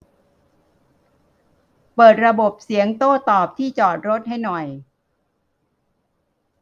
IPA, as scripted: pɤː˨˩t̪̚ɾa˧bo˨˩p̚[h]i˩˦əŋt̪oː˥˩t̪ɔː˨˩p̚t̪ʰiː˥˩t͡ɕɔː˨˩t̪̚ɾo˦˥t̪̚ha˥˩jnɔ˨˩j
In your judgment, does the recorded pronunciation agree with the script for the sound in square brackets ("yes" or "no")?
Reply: no